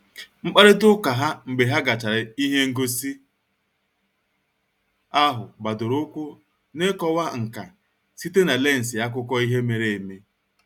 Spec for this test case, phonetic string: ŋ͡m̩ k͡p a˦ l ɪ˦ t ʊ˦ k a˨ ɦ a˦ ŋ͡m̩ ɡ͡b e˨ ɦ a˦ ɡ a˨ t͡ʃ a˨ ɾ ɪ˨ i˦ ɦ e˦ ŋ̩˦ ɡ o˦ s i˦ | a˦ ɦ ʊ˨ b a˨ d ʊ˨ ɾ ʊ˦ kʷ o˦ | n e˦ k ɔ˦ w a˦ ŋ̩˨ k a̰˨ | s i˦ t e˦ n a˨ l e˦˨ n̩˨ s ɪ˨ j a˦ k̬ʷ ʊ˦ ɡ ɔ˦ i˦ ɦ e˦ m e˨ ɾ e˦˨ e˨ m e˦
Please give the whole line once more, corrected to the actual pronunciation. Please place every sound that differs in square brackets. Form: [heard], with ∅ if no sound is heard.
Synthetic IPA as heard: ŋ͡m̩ k͡p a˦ [ɾ] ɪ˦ t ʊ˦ k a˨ ɦ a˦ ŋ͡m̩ ɡ͡b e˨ ɦ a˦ ɡ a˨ t͡ʃ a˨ ɾ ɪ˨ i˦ ɦ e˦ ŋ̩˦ ɡ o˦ s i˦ | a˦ ɦ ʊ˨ b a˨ d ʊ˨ ɾ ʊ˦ kʷ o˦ | n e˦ k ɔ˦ w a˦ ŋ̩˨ k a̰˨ | s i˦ t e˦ n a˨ l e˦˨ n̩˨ s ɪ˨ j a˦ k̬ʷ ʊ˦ [k] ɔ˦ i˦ ɦ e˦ m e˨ ɾ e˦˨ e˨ m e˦